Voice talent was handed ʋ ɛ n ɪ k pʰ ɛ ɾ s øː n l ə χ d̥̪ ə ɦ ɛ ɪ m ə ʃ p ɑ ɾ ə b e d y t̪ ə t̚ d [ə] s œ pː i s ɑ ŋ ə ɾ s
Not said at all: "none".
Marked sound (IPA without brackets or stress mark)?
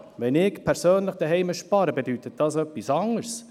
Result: ɑ